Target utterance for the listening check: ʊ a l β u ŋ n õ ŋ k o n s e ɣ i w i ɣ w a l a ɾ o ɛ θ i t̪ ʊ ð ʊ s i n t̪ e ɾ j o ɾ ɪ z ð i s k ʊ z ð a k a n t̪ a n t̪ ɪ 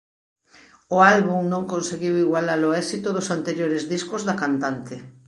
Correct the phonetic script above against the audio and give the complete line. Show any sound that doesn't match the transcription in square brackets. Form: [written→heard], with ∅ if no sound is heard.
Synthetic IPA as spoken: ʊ a l β u ŋ n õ ŋ k o n s e ɣ i w i ɣ w a l a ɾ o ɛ [θ→s] i t̪ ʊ ð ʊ s [i→a] n t̪ e ɾ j o ɾ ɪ z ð i s k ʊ z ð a k a n t̪ a n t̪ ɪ